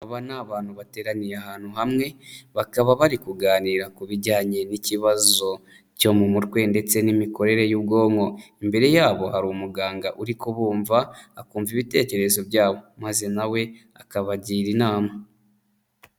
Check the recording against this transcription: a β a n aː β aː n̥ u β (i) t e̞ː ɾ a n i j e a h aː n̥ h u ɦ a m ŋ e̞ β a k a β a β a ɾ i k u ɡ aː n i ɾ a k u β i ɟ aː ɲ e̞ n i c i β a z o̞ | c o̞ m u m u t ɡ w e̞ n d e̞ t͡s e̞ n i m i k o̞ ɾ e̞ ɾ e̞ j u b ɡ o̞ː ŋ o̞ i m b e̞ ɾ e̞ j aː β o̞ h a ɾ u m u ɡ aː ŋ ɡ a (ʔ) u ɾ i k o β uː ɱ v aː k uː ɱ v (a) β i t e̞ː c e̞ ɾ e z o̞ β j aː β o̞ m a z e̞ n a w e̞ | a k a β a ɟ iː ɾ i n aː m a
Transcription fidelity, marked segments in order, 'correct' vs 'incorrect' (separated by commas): incorrect, correct, incorrect